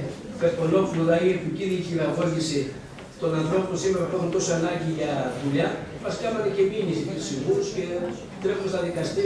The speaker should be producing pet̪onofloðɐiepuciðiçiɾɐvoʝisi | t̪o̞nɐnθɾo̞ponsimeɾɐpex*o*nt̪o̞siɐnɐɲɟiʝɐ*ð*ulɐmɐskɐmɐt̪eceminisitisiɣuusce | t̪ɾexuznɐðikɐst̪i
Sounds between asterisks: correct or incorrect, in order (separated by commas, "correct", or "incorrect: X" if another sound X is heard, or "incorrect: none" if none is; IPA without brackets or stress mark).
incorrect: u, correct